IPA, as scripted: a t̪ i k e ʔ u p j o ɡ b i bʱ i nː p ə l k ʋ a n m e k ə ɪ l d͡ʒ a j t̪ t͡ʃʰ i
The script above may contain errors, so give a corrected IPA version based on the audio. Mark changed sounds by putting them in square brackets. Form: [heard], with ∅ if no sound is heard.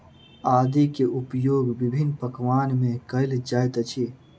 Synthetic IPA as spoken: a [d̪] i k e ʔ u p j o ɡ b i bʱ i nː p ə [∅] k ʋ a n m e k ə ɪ l d͡ʒ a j t̪ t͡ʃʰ i